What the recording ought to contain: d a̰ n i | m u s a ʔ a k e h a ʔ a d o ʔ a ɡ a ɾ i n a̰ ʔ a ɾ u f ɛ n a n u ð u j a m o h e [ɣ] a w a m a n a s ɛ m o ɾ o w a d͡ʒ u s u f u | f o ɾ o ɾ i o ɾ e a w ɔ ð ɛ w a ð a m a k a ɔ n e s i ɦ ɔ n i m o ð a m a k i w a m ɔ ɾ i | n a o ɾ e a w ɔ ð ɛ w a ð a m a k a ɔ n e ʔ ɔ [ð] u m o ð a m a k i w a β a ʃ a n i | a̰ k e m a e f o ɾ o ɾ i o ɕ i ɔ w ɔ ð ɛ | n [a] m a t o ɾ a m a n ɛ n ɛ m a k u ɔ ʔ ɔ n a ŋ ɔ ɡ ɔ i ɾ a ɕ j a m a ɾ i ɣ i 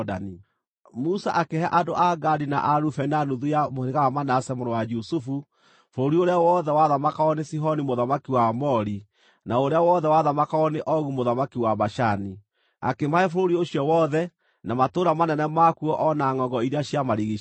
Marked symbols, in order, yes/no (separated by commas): yes, no, yes